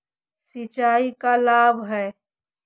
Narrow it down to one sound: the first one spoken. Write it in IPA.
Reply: s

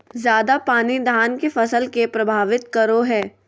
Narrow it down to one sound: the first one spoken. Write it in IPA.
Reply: z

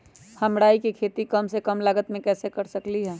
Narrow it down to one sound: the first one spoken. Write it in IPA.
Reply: h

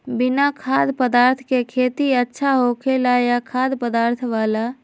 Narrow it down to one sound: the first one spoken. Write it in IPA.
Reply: b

